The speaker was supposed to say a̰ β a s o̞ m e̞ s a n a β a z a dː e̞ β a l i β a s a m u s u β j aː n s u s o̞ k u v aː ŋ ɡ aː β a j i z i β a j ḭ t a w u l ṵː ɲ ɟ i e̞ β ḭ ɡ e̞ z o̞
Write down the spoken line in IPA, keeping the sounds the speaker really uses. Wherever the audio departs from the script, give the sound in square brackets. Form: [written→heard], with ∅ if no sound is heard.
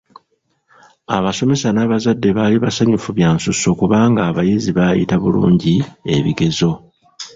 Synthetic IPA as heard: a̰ β a s o̞ m e̞ s a n a β a z a dː e̞ β a l i β a s a [m→ɲ] u [s→f] u β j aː n s u s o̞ k u [v→β] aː ŋ ɡ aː β a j i z i β a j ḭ t a [w→β] u l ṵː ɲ ɟ i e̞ β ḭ ɡ e̞ z o̞

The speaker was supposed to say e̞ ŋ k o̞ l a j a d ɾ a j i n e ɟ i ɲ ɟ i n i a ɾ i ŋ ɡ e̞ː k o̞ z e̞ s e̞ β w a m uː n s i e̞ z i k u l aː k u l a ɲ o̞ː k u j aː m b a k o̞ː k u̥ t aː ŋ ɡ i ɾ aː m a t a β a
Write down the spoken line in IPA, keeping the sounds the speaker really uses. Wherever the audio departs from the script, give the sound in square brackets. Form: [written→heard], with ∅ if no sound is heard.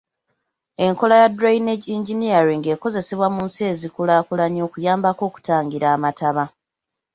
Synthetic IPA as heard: e̞ ŋ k o̞ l a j a d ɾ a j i n e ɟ i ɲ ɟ i n i a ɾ i ŋ ɡ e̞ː k o̞ z e̞ s e̞ β w a m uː n s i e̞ z i k u l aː k u l a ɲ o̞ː k u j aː m b a k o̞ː k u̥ t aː ŋ ɡ i ɾ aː m a t a β a

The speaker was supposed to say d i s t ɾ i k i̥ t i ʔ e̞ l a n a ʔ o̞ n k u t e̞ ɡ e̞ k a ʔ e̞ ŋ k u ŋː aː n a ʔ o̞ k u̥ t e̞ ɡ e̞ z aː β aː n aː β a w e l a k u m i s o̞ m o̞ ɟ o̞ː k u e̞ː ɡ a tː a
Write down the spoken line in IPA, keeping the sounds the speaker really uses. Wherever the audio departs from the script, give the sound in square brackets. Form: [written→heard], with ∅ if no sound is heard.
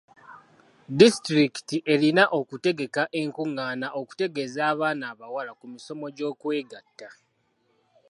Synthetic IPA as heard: d i s t ɾ i k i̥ t i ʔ e̞ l [a→i] n a ʔ o̞ [n→∅] k u t e̞ ɡ e̞ k a ʔ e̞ ŋ k u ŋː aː n a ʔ o̞ k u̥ t e̞ ɡ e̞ z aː β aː n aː β a w [e→a] l a k u m i s o̞ m o̞ ɟ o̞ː k [u→w] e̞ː ɡ a tː a

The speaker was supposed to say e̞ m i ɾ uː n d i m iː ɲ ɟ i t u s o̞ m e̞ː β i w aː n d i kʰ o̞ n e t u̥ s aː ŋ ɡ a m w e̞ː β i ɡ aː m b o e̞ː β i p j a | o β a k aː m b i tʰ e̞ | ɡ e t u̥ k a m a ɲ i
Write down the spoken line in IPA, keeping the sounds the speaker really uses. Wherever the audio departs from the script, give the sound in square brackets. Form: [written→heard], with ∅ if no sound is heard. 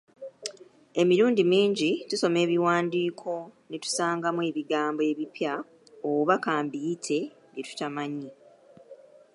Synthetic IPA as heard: e̞ m i ɾ uː n d i m iː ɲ ɟ i t u s o̞ m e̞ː β i w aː n d [i→iː] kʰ o̞ n e t u̥ s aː ŋ ɡ a m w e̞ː β i ɡ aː m b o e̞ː β i p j a | o β a k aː m b i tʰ e̞ | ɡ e t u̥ [k→t] a m a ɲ i

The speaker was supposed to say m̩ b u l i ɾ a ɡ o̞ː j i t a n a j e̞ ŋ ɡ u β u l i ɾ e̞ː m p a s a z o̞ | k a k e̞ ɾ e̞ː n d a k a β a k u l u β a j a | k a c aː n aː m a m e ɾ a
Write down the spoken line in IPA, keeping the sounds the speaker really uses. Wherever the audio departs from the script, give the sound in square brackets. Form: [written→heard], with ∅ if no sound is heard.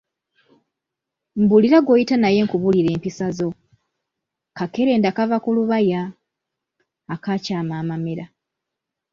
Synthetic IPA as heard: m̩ b u l i ɾ a ɡ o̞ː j i t a n a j e̞ ŋ [ɡ→k] u β u l i ɾ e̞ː m p [a→i] s a z o̞ | k a k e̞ ɾ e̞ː n d a k a [β→v] a k u l u β a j a | k a c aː [n→m] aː m a m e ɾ a

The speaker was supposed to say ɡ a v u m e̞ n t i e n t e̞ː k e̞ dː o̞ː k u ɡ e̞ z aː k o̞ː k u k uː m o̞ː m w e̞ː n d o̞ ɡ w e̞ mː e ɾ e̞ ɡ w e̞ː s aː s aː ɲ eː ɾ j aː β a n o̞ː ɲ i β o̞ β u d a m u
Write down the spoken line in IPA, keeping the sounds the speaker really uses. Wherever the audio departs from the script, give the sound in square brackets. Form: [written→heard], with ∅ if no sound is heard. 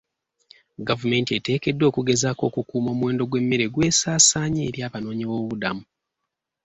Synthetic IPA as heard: ɡ a v u m e̞ n t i e [n→∅] t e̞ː k e̞ dː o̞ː k u ɡ e̞ z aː k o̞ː k u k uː m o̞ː m w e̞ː n d o̞ ɡ w e̞ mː e ɾ e̞ ɡ w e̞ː s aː s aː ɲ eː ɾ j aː β a n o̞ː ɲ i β o̞ β u d a m u

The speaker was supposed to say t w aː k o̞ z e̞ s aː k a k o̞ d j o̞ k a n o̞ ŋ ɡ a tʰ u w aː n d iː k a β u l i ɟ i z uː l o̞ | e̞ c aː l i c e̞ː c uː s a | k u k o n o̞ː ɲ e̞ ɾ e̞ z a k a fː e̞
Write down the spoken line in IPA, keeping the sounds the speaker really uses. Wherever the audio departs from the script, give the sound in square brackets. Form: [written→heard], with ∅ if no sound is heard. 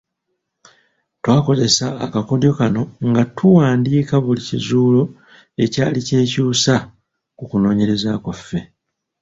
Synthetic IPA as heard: t w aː k o̞ z e̞ s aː k a k o̞ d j o̞ k a n o̞ ŋ ɡ a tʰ u w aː n d iː k a β u l i [ɟ→c] i z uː l o̞ | e̞ c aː l i c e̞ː c uː s a | k u k [o→u] n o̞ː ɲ e̞ ɾ e̞ z a k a fː e̞

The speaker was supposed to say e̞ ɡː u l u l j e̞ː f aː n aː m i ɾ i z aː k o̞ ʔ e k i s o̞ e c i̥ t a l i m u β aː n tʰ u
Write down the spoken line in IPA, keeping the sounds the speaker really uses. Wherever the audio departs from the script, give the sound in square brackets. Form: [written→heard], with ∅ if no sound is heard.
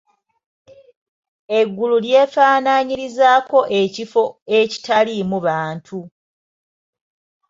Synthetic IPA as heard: e̞ ɡː u l u l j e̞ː f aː n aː [m→ɲ] i ɾ i z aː k o̞ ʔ e [k→c] i [s→f] o̞ e c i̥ t a l i m u β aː n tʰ u

